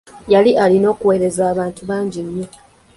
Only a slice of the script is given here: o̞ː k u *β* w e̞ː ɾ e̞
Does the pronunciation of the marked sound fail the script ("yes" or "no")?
yes